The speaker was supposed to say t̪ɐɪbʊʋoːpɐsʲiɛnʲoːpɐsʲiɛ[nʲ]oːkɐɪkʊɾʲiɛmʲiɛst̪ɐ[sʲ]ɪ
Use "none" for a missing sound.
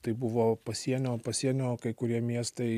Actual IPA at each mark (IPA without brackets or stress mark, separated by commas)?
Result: nʲ, none